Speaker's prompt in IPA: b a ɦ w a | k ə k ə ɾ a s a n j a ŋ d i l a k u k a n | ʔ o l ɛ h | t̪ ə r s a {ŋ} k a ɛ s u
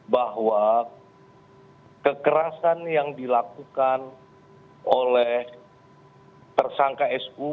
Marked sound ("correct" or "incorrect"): correct